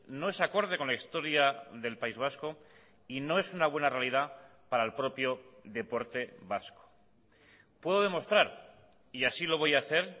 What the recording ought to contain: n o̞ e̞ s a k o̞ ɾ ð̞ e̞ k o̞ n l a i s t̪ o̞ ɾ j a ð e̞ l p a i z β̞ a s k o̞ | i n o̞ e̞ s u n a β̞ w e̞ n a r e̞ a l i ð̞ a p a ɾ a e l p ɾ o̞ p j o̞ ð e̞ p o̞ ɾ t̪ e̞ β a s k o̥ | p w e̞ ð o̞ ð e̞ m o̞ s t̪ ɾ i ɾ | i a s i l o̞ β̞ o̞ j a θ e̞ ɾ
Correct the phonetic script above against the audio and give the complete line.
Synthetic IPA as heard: n o̞ e̞ s a k o̞ ɾ ð̞ e̞ k o̞ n l a i s t̪ o̞ ɾ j a ð e̞ l p a i z β̞ a s k o̞ | i n o̞ e̞ s u n a β̞ w e̞ n a r e̞ a l i ð̞ a p a ɾ a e l p ɾ o̞ p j o̞ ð e̞ p o̞ ɾ t̪ e̞ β a s k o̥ | p w e̞ ð o̞ ð e̞ m o̞ s t̪ ɾ a ɾ | i a s i l o̞ β̞ o̞ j a θ e̞ ɾ